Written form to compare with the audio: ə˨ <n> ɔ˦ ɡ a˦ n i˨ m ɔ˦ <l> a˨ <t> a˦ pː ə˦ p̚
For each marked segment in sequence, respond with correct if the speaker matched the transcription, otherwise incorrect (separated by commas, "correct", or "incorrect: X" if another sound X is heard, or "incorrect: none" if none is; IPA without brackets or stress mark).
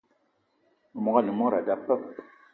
incorrect: m, incorrect: ɾ, incorrect: d